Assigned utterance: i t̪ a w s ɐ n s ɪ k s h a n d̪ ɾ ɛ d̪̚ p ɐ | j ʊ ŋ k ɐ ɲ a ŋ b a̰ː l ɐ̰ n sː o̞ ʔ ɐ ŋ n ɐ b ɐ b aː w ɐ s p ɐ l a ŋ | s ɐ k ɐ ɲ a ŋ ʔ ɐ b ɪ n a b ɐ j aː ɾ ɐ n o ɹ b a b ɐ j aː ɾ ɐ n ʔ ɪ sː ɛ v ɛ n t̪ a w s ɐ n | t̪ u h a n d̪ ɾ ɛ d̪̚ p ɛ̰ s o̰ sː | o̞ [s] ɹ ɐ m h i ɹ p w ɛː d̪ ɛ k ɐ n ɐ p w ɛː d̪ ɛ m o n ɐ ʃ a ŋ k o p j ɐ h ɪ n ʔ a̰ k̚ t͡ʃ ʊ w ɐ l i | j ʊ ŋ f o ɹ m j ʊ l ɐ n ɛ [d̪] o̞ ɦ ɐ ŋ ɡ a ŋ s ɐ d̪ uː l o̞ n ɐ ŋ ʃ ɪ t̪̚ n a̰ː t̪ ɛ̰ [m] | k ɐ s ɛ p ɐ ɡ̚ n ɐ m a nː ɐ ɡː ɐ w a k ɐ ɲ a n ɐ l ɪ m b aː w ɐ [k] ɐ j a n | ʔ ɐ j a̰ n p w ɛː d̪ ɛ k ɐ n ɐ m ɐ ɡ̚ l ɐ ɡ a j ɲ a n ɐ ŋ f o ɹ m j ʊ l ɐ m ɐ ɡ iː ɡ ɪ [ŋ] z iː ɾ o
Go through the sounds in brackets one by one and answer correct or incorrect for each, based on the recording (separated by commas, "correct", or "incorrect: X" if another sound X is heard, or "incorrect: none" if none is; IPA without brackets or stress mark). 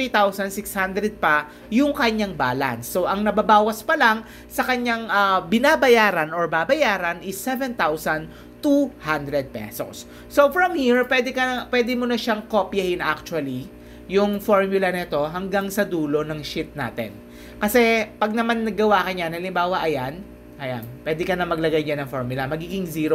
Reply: incorrect: f, incorrect: t̪, incorrect: n, incorrect: ʔ, correct